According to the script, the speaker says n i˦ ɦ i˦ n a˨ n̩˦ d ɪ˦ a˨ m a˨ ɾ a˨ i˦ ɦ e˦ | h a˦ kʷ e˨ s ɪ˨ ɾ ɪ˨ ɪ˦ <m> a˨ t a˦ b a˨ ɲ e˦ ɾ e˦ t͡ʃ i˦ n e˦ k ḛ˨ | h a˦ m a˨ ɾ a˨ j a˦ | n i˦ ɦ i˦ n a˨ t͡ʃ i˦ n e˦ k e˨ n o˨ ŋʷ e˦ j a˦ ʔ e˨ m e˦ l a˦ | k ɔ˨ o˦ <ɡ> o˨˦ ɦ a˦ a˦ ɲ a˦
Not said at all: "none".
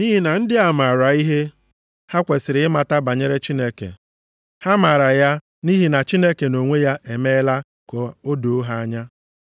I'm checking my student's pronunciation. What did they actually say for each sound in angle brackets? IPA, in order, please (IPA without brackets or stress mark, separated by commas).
m, d